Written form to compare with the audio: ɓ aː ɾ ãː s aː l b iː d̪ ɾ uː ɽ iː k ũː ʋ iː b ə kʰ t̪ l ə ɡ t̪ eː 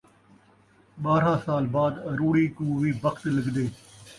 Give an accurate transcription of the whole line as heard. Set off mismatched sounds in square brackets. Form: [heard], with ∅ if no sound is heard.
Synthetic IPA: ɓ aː ɾ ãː s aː l b [aː] d̪ ɾ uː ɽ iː k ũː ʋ iː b ə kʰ t̪ l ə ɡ [d̪] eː